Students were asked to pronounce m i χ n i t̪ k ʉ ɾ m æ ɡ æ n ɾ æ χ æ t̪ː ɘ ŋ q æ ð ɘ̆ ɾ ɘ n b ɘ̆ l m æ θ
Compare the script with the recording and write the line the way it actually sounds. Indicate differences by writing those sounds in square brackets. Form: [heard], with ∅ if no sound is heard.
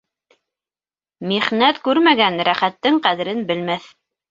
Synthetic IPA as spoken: m i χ n [æ] t̪ k ʉ ɾ m æ ɡ æ n ɾ æ χ æ t̪ː ɘ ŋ q æ ð ɘ̆ ɾ ɘ n b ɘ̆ l m æ θ